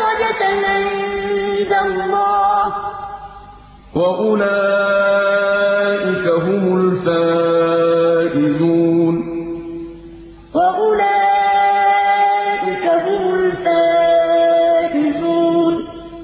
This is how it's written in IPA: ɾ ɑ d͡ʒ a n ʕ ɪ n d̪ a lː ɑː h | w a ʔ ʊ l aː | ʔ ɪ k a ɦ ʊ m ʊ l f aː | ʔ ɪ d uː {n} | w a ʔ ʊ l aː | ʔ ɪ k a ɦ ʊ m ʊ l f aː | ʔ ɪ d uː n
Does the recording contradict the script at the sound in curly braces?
no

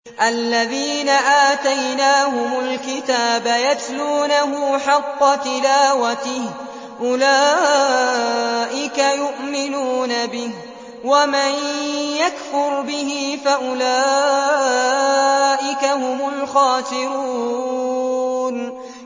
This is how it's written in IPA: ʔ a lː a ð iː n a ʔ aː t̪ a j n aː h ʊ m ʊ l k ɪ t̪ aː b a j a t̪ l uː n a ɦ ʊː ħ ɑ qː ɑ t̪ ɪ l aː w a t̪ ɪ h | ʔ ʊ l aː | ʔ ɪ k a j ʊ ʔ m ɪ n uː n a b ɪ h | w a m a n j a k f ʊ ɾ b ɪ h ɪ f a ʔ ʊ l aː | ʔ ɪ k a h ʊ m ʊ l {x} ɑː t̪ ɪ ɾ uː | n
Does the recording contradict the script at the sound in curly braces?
no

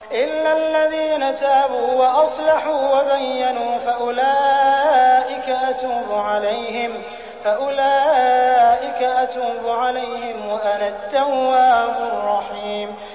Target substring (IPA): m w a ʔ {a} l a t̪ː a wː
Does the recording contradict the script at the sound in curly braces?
no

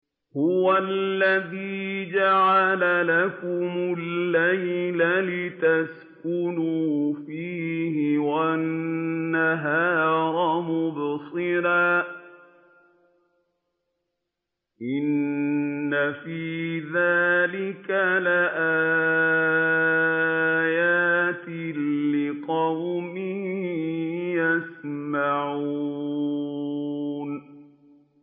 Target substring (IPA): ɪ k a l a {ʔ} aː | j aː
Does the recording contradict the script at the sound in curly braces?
no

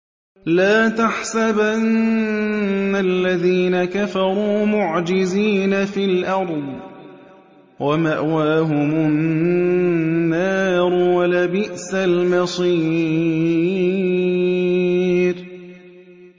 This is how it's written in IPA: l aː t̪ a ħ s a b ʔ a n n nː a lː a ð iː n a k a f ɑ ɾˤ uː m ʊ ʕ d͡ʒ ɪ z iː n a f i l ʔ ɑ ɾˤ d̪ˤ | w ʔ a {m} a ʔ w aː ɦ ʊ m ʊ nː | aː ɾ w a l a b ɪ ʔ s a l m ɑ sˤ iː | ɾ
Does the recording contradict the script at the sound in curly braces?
no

